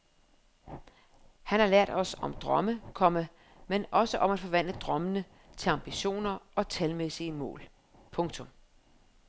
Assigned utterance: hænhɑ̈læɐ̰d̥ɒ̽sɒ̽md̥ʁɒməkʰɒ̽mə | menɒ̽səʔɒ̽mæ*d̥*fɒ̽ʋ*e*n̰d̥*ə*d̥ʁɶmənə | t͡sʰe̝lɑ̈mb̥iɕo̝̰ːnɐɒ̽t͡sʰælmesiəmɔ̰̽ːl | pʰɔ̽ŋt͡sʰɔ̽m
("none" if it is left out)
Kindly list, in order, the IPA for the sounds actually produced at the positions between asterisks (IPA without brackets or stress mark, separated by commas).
d̥, æ, ə